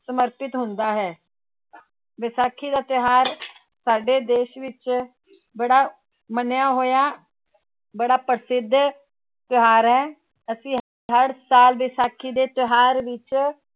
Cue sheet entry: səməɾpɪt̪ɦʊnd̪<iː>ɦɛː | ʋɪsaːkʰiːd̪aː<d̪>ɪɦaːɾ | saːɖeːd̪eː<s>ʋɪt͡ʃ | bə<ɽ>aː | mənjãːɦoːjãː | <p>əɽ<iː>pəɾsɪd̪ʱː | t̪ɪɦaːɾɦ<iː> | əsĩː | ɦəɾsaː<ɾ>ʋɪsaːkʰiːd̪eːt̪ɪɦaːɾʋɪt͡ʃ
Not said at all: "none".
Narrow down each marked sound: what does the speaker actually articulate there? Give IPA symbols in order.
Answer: aː, t̪, ʃ, ɽ, b, aː, ɛː, l

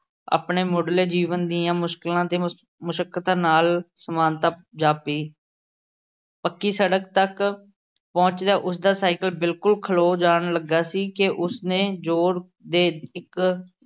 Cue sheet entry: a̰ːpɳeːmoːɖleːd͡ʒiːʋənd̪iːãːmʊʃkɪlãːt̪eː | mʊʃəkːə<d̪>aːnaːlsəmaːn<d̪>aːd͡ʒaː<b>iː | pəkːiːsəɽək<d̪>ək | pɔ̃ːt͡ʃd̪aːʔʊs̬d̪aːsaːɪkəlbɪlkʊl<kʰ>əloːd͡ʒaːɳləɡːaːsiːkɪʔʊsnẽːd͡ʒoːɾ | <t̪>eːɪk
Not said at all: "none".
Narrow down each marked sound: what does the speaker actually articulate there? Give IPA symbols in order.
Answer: t̪, t̪, p, t̪, kʰ, d̪

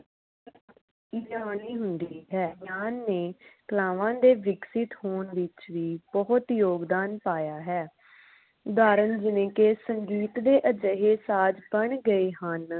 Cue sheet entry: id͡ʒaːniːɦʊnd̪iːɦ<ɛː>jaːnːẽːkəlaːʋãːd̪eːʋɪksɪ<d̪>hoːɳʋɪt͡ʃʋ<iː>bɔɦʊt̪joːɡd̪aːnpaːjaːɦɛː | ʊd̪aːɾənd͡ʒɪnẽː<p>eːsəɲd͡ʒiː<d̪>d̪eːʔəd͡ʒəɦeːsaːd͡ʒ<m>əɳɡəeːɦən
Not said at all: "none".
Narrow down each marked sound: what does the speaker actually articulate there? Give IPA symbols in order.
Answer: ɛː, t̪, iː, k, t̪, b

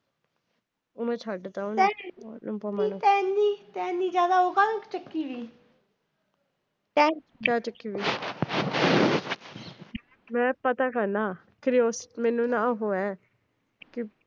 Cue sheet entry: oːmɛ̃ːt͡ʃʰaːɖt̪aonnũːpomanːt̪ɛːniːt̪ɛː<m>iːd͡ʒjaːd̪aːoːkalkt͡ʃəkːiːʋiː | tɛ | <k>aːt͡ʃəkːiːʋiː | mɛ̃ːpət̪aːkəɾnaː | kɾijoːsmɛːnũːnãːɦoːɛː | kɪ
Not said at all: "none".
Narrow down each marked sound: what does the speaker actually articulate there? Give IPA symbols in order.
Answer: n, k

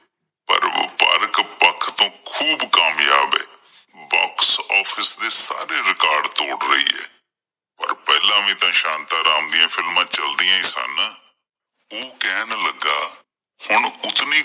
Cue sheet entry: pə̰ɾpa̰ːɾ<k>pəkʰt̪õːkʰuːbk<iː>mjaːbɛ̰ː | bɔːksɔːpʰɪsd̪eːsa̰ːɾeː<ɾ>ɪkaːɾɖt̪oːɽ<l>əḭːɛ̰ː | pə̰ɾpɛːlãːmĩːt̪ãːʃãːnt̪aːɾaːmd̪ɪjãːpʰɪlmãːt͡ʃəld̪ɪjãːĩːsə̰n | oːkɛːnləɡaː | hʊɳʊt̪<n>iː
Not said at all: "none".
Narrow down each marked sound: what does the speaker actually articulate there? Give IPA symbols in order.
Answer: k, aː, ɾ, ɾ, n

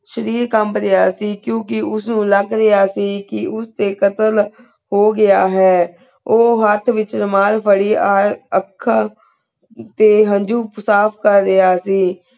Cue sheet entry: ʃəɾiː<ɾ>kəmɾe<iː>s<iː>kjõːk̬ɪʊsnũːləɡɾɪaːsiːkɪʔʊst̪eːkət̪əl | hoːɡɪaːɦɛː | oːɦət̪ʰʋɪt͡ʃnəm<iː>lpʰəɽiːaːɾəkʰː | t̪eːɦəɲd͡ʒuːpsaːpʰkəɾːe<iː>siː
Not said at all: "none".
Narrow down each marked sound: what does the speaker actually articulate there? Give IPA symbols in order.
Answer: ɾ, aː, iː, aː, aː

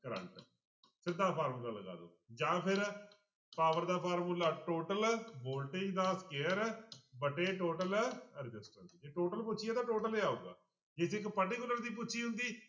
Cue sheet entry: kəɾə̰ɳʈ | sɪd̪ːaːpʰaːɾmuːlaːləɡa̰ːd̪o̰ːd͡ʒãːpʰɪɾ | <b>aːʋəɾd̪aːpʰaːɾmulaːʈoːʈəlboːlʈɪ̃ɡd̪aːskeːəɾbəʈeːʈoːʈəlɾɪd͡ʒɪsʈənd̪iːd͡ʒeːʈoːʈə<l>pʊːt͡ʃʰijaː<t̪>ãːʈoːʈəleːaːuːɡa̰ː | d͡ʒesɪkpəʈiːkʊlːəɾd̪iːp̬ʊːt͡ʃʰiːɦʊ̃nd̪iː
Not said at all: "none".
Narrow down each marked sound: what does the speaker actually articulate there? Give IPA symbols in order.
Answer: p, l, t̪

